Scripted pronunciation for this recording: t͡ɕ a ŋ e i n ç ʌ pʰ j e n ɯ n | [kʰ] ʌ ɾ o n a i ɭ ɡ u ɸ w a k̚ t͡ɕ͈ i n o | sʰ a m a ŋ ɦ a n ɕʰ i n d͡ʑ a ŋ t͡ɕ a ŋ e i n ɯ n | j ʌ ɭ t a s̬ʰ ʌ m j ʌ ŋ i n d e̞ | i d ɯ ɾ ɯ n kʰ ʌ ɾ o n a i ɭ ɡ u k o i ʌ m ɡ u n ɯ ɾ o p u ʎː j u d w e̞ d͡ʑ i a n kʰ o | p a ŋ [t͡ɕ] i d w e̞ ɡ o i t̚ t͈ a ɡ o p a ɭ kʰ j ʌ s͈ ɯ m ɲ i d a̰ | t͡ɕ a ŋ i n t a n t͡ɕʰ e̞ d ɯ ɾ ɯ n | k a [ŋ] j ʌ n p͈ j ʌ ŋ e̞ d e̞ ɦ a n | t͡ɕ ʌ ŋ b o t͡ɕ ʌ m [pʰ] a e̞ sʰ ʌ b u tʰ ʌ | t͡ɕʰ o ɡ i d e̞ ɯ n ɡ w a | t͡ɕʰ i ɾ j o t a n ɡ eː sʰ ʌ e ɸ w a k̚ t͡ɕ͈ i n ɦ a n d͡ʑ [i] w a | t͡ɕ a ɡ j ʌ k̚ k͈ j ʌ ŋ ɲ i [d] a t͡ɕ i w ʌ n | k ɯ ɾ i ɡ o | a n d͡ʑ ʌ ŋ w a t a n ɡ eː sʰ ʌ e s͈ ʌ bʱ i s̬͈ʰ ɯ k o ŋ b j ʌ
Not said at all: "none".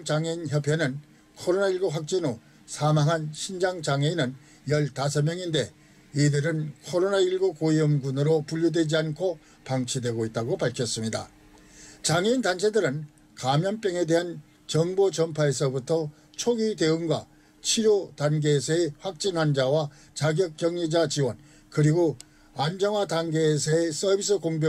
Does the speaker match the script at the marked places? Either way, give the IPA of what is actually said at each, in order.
kʰ, t͡ɕʰ, m, pʰ, a, d͡ʑ

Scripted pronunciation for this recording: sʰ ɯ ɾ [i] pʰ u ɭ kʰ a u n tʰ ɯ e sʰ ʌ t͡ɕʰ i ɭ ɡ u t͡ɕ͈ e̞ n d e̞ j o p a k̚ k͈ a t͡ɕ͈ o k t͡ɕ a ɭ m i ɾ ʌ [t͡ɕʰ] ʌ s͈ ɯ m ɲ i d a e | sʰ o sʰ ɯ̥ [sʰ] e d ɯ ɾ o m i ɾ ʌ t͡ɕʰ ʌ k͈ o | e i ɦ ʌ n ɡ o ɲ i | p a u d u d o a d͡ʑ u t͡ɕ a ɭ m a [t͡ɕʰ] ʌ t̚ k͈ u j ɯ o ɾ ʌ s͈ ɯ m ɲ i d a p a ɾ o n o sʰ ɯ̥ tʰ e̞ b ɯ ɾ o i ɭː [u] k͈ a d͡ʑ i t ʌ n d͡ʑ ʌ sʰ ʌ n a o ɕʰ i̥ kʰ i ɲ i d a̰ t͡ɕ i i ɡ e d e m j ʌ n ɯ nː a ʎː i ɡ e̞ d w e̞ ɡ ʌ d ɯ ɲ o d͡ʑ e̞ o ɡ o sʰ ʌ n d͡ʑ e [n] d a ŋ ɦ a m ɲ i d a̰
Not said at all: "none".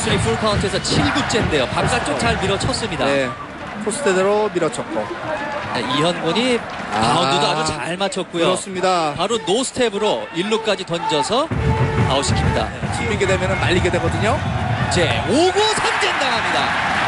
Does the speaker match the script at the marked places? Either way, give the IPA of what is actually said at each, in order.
i, t͡ɕʰ, tʰ, t͡ɕʰ, u, n

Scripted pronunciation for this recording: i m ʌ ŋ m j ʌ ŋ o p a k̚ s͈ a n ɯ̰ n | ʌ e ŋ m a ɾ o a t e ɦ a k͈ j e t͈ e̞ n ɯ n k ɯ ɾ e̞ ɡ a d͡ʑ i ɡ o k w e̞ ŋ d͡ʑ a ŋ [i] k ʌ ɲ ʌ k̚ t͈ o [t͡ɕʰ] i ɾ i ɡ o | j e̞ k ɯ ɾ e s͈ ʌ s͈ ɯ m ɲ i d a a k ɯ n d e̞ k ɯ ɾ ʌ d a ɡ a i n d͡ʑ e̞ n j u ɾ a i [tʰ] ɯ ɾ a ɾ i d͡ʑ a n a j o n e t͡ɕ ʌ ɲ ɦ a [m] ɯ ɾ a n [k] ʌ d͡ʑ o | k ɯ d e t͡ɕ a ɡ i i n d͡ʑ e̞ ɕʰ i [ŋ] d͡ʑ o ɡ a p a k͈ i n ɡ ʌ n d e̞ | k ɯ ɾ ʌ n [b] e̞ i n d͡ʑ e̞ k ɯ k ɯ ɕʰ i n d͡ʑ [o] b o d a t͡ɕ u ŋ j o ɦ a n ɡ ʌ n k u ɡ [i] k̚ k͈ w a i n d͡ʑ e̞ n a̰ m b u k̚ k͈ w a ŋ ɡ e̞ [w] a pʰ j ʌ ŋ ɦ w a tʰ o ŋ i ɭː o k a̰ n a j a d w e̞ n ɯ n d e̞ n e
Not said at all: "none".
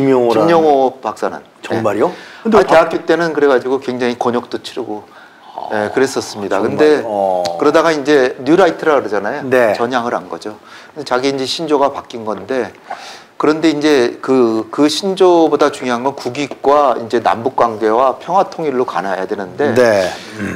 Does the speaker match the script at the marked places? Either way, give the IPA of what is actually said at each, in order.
i, t͡ɕʰ, tʰ, ŋ, ɡ, n, d, o, i, w

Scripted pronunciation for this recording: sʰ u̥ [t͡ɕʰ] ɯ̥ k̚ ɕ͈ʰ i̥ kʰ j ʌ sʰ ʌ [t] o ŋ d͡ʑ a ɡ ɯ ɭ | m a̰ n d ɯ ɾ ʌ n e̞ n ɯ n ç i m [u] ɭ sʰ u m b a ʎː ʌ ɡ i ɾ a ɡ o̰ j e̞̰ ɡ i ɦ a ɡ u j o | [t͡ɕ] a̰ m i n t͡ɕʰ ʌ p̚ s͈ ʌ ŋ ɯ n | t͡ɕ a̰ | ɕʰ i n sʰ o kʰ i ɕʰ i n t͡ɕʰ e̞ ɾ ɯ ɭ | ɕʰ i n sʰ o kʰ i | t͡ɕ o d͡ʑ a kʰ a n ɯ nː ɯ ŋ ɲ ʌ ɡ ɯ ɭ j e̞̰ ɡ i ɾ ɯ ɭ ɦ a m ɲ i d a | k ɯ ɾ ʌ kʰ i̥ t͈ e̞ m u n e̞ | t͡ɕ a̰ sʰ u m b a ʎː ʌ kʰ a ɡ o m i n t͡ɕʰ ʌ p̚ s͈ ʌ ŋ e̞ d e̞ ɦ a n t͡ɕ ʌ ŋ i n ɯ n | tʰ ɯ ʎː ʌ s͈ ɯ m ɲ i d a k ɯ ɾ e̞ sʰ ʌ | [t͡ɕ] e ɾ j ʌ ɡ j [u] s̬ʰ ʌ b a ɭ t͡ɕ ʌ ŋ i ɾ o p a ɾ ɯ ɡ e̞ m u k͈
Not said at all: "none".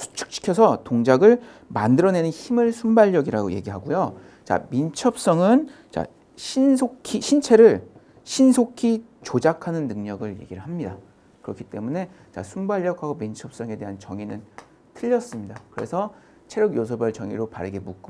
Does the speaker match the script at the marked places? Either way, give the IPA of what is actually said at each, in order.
t͡ɕʰ, t, ɯ, t͡ɕ, t͡ɕʰ, o

